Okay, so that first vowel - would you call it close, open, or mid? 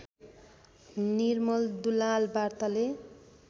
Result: close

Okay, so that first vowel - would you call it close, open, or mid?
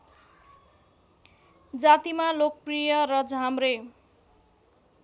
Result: open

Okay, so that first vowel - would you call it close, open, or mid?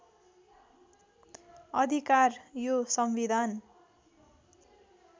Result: mid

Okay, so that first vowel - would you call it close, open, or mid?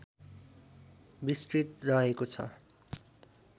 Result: close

